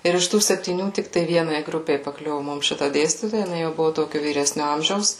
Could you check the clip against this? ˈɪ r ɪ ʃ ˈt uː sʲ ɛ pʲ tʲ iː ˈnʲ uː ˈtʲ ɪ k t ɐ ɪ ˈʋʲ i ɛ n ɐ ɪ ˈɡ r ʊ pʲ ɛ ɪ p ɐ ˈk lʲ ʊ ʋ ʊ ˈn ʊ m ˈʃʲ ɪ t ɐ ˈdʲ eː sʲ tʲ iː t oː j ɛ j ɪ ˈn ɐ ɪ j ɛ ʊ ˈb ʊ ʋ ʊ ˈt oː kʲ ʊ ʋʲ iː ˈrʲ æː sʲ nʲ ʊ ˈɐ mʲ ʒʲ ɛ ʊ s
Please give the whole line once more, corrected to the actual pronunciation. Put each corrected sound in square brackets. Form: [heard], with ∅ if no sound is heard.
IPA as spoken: ˈɪ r ɪ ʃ ˈt uː sʲ ɛ pʲ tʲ iː ˈnʲ uː ˈtʲ ɪ k t ɐ ɪ ˈʋʲ i ɛ n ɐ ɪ ˈɡ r ʊ pʲ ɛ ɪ p ɐ ˈk lʲ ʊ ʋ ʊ [ˈm] ʊ m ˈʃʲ ɪ t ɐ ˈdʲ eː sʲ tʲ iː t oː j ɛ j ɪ ˈn ɐ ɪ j ɛ ʊ ˈb ʊ ʋ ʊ ˈt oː kʲ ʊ ʋʲ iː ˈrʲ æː sʲ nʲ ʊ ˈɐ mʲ ʒʲ ɛ ʊ s